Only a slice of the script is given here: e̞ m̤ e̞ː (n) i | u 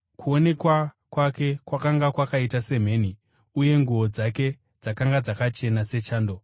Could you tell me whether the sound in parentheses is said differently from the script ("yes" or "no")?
no